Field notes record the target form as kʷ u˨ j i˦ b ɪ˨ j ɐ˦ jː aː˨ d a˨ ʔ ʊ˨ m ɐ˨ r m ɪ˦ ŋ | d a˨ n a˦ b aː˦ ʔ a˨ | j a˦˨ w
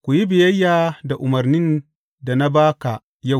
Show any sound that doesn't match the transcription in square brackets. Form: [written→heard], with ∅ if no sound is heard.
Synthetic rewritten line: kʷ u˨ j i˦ b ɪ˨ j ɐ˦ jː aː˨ d a˨ ʔ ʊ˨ m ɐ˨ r [m→n] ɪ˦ [ŋ→n] | d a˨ n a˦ b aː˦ [ʔ→k] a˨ | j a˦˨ w